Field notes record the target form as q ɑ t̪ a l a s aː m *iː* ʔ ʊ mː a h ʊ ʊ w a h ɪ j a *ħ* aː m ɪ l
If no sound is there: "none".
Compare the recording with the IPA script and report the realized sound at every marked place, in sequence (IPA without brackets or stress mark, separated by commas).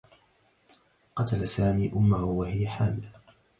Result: iː, ħ